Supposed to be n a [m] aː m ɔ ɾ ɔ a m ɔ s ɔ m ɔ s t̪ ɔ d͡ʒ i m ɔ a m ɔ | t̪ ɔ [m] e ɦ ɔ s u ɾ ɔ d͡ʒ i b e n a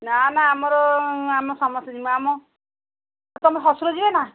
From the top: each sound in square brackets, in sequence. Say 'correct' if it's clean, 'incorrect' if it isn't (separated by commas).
incorrect, correct